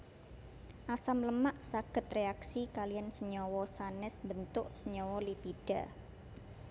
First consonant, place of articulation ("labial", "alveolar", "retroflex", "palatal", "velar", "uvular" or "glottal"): glottal